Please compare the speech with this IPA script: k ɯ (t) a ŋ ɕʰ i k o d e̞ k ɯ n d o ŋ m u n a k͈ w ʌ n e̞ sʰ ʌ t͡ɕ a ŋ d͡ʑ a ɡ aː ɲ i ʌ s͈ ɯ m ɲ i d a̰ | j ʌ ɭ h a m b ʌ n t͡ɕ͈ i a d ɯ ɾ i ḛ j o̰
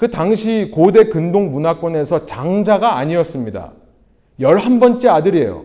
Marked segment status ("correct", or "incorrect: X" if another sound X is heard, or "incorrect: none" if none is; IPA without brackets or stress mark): correct